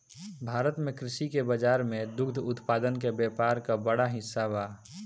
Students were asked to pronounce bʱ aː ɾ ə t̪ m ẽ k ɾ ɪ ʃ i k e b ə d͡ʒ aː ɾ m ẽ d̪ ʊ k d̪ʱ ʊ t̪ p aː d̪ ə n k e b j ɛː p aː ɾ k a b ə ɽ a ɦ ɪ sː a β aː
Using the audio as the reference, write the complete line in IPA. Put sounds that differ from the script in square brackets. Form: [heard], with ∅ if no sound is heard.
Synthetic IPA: bʱ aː ɾ ə t̪ m ẽ k ɾ ɪ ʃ i k e b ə d͡ʒ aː ɾ m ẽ d̪ ʊ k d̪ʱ ʊ t̪ p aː d̪ ə n k e b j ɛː p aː ɾ k a b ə ɽ a ɦ ɪ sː a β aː